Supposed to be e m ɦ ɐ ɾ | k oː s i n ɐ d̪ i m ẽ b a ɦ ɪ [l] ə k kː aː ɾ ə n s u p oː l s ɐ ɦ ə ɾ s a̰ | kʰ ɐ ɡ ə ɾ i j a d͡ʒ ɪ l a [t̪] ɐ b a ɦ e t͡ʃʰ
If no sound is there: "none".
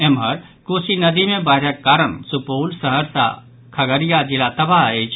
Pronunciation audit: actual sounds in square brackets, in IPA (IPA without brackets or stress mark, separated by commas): ɾ, t̪